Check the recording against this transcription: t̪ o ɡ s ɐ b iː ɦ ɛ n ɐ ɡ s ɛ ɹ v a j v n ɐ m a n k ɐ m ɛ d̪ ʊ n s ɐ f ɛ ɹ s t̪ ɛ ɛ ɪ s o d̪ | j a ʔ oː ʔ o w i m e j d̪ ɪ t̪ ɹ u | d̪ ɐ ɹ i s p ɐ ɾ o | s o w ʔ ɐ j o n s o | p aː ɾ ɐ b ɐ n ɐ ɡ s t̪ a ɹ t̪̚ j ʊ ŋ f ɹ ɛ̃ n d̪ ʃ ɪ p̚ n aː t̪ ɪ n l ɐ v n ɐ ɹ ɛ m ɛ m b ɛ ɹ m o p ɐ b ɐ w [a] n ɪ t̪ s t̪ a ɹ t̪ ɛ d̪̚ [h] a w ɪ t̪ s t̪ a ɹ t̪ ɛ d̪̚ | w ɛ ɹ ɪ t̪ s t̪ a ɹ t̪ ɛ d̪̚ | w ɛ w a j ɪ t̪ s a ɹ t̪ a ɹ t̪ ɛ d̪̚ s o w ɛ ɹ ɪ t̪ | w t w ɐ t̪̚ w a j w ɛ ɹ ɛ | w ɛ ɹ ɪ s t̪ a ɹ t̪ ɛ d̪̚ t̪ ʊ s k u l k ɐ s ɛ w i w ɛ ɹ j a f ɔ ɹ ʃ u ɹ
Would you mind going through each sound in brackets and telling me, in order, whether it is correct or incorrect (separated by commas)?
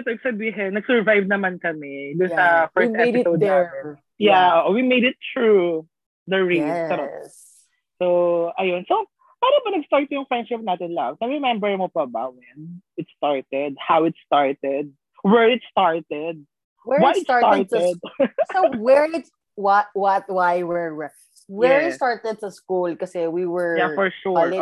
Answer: incorrect, correct